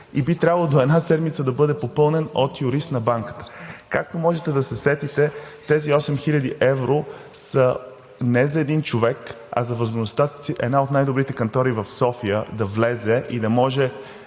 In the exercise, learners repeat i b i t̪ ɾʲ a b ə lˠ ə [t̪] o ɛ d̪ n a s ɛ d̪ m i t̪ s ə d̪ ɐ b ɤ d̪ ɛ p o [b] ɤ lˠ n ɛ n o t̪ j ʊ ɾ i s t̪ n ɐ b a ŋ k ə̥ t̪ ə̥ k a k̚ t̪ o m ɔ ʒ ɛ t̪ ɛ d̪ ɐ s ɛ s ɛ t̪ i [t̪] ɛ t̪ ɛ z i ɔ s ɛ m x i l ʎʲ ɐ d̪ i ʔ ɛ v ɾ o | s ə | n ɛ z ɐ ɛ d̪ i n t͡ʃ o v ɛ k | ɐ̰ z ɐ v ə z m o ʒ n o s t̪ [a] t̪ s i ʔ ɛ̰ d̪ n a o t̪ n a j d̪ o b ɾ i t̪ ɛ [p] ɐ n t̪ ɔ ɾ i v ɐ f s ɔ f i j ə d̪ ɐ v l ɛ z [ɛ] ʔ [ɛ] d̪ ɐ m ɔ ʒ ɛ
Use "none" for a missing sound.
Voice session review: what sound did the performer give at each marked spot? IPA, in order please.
d̪, p, t̪, a, k, ɛ, i

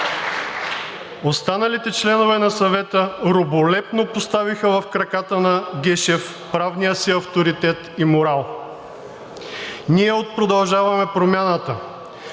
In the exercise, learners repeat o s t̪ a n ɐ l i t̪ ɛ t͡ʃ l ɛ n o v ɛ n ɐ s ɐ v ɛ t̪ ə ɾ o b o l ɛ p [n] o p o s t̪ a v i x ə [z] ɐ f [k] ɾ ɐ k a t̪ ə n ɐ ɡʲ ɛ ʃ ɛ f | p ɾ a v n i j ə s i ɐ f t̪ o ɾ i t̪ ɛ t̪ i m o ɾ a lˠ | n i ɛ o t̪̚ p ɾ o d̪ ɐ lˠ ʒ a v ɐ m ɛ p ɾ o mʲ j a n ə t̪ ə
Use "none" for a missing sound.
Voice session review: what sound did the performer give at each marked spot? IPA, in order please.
n, v, k

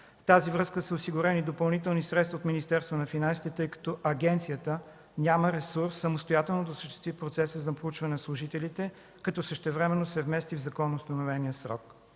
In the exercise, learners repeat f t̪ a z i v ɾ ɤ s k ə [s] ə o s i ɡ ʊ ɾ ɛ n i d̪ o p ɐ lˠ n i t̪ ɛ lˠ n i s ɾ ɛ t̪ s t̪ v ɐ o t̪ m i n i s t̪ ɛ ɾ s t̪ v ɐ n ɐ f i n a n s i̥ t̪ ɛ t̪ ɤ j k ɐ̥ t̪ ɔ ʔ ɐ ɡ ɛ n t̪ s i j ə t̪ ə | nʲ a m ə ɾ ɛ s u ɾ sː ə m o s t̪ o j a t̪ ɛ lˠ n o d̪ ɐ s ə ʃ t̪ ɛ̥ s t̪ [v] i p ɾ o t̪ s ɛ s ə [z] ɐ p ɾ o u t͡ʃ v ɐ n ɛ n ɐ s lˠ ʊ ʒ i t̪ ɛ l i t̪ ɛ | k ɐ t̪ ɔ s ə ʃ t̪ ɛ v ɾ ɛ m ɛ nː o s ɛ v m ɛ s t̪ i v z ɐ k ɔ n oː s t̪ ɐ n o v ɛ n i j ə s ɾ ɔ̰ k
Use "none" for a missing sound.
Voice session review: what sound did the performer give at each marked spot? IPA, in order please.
s, v, z

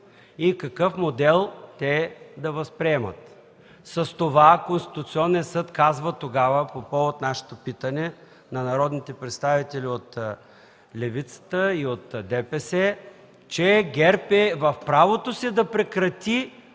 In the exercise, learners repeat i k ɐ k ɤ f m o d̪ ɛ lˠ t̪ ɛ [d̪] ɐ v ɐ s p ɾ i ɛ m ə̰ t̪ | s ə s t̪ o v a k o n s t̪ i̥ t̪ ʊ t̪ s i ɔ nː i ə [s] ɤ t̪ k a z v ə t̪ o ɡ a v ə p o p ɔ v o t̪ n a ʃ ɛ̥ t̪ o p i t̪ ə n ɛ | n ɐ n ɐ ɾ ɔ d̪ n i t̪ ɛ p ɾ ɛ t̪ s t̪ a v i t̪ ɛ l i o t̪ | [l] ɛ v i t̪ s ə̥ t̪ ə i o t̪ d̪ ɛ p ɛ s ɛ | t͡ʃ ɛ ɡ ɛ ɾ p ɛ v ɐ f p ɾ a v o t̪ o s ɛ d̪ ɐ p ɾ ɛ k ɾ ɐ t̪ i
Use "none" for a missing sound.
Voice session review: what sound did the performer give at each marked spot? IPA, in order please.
d̪, s, l

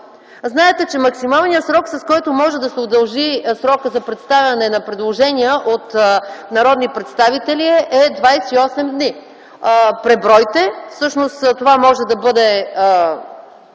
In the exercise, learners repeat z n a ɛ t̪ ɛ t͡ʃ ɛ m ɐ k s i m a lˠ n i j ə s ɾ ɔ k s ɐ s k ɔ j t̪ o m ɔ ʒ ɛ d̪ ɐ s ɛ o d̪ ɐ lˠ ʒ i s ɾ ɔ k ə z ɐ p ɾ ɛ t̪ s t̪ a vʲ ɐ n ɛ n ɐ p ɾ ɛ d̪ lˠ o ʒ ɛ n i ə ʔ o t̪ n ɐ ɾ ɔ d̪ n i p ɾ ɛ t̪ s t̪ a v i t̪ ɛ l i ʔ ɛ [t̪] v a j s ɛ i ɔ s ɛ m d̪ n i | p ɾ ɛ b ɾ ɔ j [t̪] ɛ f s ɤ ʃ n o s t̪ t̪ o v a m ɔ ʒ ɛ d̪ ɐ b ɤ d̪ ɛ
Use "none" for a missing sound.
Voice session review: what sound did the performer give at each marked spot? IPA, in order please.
d̪, t̪

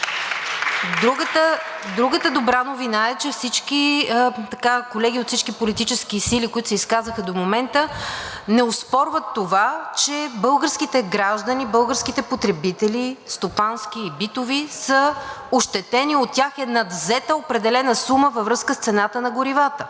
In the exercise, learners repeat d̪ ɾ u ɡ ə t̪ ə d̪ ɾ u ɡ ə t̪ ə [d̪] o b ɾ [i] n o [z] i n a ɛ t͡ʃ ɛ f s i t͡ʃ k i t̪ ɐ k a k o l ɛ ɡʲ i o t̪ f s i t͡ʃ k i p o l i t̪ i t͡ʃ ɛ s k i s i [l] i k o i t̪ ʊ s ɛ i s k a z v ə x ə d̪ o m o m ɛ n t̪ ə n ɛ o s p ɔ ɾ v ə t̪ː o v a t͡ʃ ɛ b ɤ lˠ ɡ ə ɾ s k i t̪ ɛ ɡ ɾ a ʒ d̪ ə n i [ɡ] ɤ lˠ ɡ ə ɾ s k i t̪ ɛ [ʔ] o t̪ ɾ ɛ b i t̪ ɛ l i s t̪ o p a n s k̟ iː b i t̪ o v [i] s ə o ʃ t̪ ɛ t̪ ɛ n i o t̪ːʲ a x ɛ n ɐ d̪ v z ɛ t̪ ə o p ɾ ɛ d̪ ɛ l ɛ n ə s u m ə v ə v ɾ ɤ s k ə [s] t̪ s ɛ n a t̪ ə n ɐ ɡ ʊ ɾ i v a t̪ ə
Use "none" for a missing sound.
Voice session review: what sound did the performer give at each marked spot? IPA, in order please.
d̪, a, v, l, b, p, i, s

